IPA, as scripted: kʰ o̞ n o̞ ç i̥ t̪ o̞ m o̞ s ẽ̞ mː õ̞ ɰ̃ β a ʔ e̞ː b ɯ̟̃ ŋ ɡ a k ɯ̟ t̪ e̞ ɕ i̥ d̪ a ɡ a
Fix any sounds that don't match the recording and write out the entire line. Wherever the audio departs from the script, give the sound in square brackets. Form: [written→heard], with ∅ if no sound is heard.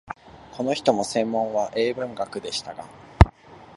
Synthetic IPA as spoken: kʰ o̞ n o̞ ç i̥ t̪ o̞ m o̞ s ẽ̞ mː õ̞ ɰ̃ β a ʔ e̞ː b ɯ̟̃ ŋ ɡ a k ɯ̟ [t̪→d̪] e̞ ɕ i̥ [d̪→t̪] a ɡ a